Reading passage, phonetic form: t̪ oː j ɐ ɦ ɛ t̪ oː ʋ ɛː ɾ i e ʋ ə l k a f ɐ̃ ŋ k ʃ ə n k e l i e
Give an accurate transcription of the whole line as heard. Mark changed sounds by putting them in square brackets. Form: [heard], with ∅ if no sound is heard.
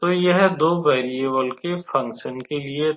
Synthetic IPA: t̪ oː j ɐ ɦ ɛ [d̪] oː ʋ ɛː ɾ i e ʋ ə l k [e] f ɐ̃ ŋ k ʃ ə n k e l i e